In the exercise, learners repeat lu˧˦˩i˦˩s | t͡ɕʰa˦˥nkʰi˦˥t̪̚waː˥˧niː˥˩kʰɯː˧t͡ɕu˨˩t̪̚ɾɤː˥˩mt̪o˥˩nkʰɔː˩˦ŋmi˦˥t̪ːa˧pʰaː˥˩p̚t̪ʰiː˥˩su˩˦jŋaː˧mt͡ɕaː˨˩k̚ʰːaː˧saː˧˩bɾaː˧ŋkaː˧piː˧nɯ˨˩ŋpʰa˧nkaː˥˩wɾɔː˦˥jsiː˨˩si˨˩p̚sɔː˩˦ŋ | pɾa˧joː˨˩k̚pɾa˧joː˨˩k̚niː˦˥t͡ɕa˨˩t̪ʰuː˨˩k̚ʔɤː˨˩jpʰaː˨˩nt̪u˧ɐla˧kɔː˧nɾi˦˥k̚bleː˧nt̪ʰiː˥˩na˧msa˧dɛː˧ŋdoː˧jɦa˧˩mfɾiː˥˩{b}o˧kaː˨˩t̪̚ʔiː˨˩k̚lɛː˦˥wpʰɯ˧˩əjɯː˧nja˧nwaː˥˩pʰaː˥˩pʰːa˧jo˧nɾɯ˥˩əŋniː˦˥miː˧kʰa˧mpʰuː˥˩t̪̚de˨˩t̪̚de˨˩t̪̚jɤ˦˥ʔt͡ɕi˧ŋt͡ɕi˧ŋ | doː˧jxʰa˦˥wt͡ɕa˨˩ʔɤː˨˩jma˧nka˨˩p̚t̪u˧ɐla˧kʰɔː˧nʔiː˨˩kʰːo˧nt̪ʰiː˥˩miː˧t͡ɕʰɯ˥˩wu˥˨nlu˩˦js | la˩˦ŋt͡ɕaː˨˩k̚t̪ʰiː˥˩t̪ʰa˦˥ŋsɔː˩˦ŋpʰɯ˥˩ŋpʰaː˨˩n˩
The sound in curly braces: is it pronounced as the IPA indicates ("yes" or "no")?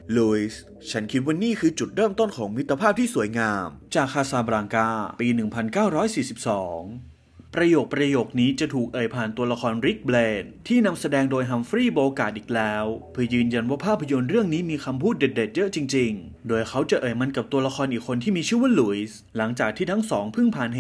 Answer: yes